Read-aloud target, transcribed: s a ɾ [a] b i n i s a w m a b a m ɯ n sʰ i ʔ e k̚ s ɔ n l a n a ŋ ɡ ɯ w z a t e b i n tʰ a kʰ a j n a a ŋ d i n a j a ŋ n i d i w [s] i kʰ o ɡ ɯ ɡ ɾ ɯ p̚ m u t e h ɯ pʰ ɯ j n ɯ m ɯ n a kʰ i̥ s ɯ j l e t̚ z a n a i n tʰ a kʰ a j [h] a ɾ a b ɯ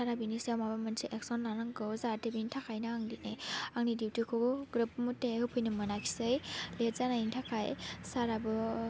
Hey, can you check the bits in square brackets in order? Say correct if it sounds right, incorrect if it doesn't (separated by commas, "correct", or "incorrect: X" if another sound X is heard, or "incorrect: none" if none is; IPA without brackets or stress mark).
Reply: correct, incorrect: t, incorrect: s